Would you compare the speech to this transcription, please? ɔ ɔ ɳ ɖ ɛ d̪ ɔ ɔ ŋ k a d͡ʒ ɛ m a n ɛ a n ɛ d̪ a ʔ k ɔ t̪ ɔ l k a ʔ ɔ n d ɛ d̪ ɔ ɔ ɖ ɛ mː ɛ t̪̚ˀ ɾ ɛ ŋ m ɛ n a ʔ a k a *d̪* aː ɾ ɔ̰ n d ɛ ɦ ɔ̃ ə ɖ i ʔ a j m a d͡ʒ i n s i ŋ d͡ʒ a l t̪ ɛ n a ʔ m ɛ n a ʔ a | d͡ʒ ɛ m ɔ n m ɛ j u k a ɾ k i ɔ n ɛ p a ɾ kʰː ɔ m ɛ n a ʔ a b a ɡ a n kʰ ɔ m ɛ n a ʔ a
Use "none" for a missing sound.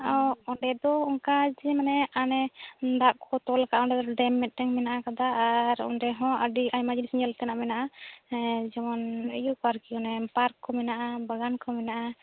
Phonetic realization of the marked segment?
d̪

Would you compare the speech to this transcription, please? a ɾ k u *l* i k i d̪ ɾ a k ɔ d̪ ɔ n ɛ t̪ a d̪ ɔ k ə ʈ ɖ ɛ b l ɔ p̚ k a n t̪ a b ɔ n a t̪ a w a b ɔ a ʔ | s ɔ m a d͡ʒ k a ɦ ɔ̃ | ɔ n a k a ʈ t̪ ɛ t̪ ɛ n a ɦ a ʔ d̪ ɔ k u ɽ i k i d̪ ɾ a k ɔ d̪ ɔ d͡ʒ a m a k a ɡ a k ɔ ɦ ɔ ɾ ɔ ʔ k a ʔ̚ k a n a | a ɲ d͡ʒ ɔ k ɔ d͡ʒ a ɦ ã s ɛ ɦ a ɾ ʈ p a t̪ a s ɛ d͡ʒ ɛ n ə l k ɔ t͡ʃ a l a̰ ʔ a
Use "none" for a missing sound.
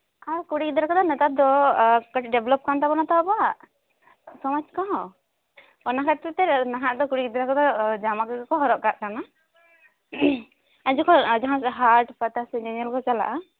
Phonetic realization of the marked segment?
ɽ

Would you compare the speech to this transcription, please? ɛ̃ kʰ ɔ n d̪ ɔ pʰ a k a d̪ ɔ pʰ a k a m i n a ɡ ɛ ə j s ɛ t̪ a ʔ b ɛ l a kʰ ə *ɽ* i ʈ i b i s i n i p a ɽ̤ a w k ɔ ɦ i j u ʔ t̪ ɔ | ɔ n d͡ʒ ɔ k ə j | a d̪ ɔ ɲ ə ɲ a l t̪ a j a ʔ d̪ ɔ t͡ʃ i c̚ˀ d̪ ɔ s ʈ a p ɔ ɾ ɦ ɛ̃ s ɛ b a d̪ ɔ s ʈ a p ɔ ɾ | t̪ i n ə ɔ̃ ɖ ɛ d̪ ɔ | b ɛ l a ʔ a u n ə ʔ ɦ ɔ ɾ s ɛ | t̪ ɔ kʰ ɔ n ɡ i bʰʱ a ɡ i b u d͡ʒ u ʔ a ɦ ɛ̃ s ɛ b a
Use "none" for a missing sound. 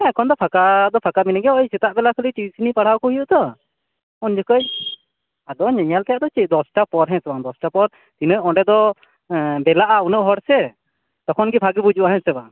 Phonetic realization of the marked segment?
l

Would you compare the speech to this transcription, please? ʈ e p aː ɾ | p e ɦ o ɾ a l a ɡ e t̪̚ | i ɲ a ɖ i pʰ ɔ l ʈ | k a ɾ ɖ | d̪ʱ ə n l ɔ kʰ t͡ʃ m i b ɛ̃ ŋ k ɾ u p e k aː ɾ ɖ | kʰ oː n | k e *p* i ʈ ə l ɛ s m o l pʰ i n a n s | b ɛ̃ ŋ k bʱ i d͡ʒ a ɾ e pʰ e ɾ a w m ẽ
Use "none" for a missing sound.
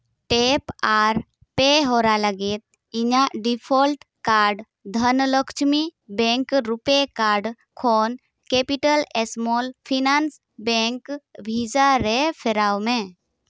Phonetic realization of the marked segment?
p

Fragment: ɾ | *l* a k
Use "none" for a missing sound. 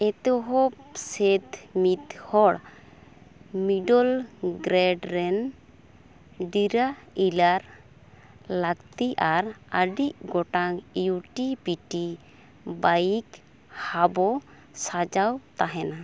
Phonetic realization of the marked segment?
l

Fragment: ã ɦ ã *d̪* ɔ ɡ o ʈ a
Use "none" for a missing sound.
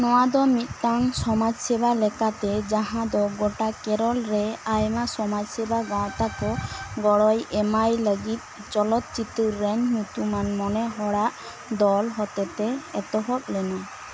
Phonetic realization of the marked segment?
d̪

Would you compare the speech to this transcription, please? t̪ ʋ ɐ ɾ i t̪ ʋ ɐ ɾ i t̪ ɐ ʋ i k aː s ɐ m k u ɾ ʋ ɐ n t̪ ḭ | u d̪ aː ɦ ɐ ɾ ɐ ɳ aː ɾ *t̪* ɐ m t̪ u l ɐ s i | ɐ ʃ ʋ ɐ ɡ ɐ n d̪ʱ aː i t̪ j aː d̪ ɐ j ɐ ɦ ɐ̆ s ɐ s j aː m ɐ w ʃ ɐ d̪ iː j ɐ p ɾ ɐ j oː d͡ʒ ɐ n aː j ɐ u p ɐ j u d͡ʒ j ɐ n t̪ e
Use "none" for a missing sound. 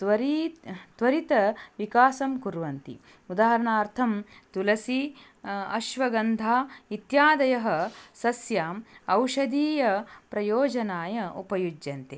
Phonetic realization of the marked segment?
t̪ʰ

